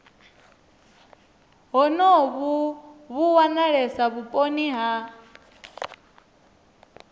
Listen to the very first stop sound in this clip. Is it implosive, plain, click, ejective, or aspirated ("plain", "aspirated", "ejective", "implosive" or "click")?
ejective